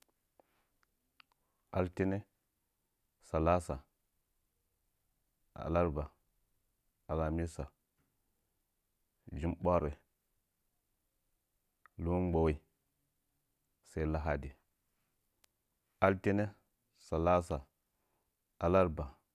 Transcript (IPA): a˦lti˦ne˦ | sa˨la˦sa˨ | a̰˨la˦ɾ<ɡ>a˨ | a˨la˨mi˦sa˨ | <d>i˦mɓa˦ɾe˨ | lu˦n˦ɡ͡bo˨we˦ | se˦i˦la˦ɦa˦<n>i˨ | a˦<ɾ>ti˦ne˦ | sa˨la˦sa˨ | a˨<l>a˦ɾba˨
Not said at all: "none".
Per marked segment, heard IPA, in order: b, d͡ʒ, d, l, l

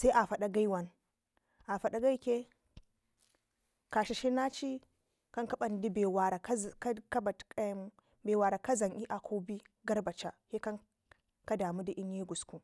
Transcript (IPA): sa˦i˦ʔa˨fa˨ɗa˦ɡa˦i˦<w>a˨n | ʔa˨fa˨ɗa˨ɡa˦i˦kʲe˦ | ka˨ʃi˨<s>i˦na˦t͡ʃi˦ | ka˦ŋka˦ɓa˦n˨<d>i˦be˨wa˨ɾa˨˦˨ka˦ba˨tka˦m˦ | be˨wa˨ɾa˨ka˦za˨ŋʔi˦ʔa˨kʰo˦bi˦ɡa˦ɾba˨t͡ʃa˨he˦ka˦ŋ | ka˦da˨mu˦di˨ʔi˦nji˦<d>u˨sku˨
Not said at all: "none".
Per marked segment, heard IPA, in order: w, ʃ, d, ɡ

